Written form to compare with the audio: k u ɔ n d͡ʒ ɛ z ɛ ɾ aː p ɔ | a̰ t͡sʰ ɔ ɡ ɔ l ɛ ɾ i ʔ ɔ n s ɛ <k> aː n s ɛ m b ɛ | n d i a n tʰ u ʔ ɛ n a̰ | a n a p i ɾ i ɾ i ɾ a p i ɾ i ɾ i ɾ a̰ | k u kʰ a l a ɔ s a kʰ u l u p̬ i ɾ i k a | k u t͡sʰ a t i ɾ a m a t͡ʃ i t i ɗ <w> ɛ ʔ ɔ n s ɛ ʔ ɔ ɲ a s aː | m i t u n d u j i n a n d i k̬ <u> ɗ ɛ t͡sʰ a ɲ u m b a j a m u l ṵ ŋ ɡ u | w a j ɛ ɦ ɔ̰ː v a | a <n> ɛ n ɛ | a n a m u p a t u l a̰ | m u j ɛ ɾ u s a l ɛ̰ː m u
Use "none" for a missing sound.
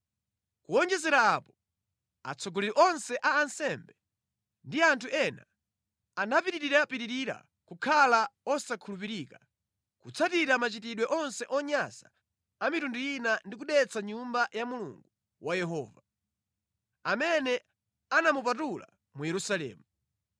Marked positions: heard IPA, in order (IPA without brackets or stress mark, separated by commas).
ʔ, w, u, m